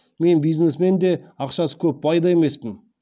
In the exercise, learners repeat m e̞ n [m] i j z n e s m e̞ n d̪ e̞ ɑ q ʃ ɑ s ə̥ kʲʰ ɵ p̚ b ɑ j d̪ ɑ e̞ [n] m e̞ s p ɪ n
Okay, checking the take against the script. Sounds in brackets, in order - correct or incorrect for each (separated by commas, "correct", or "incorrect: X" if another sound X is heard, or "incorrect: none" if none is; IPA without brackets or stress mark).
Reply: incorrect: b, incorrect: none